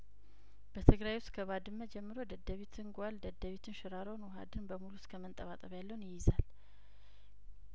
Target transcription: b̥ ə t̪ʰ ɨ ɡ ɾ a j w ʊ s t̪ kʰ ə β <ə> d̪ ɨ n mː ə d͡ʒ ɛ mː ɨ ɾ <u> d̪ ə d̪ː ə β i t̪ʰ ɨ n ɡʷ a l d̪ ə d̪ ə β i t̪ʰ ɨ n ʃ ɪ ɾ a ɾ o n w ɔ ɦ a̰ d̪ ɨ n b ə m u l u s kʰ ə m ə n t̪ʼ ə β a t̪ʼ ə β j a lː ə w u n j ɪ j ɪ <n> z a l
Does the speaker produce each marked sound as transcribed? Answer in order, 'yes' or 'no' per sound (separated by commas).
no, no, no